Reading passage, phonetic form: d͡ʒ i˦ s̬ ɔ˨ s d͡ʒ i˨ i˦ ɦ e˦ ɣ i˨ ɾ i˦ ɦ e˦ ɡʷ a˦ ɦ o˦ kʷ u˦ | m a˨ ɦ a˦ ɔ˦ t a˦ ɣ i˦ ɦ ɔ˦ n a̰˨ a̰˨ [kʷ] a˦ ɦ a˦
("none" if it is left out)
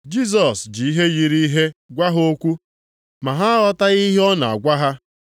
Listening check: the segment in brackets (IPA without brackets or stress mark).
ɡʷ